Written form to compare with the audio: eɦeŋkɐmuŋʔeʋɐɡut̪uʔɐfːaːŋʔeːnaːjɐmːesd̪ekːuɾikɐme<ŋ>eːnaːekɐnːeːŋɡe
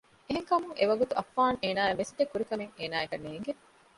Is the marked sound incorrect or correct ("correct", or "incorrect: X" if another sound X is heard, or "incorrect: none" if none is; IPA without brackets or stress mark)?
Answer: correct